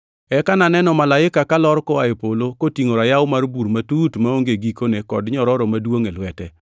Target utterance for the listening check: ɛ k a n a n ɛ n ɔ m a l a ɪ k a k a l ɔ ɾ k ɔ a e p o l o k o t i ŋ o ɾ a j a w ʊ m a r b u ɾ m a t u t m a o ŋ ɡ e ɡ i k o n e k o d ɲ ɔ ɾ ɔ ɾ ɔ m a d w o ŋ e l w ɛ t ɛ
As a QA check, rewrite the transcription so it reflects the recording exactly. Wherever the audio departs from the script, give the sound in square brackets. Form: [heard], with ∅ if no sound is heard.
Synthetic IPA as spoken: ɛ k a n a n ɛ n ɔ m a l a ɪ k a k a l ɔ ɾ k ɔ a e p o l o k o t i ŋ o ɾ a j a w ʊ m a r b u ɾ m a t u t m a o ŋ ɡ e ɡ i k o n e k [ɔ] d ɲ ɔ ɾ ɔ ɾ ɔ m a d w o ŋ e l w ɛ t ɛ